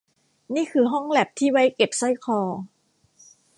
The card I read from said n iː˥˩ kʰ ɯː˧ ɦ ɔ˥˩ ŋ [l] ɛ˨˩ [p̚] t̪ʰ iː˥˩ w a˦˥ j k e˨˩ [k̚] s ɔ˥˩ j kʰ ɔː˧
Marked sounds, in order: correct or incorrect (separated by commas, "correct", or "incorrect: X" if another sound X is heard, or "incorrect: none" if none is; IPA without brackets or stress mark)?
correct, correct, incorrect: p̚